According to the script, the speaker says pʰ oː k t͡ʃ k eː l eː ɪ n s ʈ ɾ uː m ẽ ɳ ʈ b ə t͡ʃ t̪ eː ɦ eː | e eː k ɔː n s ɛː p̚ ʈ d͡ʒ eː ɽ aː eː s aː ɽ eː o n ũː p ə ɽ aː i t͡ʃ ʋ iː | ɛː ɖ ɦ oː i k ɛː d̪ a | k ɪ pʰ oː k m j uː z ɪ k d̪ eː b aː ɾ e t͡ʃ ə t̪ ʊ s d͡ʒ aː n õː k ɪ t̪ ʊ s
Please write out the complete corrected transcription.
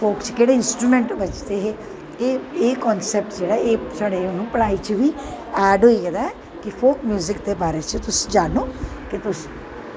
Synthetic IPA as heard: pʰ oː k t͡ʃ k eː ɽ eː ɪ n s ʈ ɾ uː m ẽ ɳ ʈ b ə t͡ʃ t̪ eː ɦ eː | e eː k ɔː n s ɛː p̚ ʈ d͡ʒ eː ɽ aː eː s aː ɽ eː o n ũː p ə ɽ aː i t͡ʃ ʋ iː | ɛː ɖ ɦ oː i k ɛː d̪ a | k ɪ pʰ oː k m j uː z ɪ k d̪ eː b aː ɾ e t͡ʃ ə t̪ ʊ s d͡ʒ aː n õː k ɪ t̪ ʊ s

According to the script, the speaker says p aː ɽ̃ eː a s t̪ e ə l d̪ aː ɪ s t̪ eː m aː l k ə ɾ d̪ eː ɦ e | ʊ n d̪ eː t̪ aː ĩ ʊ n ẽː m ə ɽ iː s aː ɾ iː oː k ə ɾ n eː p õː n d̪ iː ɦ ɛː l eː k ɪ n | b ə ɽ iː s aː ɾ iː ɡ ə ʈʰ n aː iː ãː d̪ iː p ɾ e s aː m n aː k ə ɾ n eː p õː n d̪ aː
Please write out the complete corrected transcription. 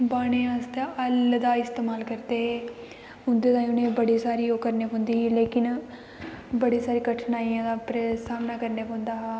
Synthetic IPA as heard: b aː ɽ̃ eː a s t̪ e ə l d̪ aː ɪ s t̪ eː m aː l k ə ɾ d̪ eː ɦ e | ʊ n d̪ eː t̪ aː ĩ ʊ n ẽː b ə ɽ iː s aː ɾ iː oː k ə ɾ n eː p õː n d̪ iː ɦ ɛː l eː k ɪ n | b ə ɽ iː s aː ɾ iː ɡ ə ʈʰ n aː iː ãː d̪ aː p ɾ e s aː m n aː k ə ɾ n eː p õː n d̪ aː

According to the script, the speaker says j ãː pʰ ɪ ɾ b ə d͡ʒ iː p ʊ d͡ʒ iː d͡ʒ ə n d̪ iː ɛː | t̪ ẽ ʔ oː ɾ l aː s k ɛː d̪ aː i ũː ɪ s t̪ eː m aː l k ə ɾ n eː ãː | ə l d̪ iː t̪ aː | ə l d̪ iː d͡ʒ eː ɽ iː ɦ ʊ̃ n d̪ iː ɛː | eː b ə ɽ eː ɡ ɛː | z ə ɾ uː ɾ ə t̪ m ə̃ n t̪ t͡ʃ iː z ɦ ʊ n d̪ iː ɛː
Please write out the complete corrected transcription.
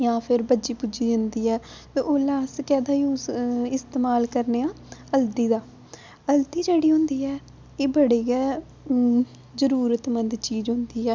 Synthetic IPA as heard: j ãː pʰ ɪ ɾ b ə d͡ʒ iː p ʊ d͡ʒ iː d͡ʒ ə n d̪ iː ɛː | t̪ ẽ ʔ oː l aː s k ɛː d̪ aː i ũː ɪ s t̪ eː m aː l k ə ɾ n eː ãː | ə l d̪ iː d̪ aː | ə l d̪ iː d͡ʒ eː ɽ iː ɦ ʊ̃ n d̪ iː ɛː | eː b ə ɽ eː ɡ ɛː | z ə ɾ uː ɾ ə t̪ m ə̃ n d̪ t͡ʃ iː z ɦ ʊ n d̪ iː ɛː

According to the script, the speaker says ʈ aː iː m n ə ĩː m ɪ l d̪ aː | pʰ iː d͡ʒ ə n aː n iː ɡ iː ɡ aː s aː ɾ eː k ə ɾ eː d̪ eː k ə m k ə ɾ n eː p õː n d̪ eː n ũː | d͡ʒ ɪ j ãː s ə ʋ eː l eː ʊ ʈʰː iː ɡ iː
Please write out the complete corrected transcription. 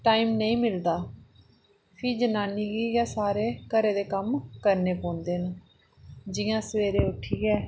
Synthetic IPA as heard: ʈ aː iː m n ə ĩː m ɪ l d̪ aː | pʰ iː d͡ʒ ə n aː n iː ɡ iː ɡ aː s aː ɾ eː k ə ɾ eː d̪ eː k ə m k ə ɾ n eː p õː n d̪ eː n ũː | d͡ʒ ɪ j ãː s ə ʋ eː ɾ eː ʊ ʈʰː iː ɡ ɛː

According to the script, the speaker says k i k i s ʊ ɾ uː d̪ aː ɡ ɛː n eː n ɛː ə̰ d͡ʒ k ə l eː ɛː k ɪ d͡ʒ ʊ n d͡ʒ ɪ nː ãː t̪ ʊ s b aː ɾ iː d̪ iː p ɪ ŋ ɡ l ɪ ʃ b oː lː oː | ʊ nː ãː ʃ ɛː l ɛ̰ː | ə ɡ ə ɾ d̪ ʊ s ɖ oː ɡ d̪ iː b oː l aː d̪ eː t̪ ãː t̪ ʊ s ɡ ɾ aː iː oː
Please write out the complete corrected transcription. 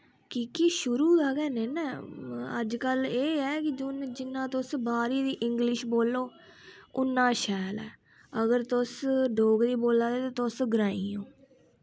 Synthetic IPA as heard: k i k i ʃ ʊ ɾ uː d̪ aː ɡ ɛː n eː n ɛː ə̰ d͡ʒ k ə l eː ɛː k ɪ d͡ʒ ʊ n d͡ʒ ɪ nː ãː t̪ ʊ s b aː ɾ iː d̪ iː ʔ ɪ ŋ ɡ l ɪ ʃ b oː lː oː | ʊ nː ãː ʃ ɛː l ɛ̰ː | ə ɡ ə ɾ t̪ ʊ s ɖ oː ɡ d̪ iː b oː l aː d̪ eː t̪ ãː t̪ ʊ s ɡ ɾ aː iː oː

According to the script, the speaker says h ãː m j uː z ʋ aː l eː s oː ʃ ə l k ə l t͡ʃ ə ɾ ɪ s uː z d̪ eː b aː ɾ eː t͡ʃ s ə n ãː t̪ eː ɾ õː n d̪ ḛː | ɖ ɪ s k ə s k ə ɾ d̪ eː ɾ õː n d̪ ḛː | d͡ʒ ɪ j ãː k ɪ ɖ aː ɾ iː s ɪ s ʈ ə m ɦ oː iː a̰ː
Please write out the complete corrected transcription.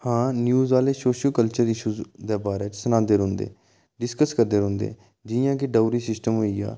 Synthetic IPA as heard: h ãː n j uː z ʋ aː l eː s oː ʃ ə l k ə l t͡ʃ ə ɾ ɪ ʃ uː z d̪ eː b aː ɾ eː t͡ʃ s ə n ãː d̪ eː ɾ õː n d̪ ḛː | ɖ ɪ s k ə s k ə ɾ d̪ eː ɾ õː n d̪ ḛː | d͡ʒ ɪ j ãː k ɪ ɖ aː ɾ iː s ɪ s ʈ ə m ɦ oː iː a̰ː

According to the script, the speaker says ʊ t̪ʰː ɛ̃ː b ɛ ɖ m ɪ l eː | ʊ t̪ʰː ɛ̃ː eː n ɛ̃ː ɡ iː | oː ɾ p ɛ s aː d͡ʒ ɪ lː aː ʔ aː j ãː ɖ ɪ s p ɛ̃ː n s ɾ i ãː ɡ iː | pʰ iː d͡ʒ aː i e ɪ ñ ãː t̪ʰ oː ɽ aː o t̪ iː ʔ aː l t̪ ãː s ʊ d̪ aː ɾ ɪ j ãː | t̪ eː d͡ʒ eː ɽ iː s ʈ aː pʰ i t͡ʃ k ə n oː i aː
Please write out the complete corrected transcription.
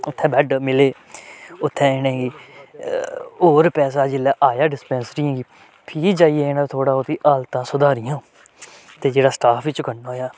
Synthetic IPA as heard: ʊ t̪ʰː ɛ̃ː b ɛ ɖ m ɪ l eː | ʊ t̪ʰː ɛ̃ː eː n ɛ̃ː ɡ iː | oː ɾ p ɛː s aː d͡ʒ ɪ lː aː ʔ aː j aː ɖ ɪ s p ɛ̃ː n s ɾ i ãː ɡ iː | pʰ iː d͡ʒ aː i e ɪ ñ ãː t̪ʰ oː ɽ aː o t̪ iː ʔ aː l t̪ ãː s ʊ d̪ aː ɾ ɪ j ãː | t̪ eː d͡ʒ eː ɽ aː s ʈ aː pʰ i t͡ʃ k ə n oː j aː

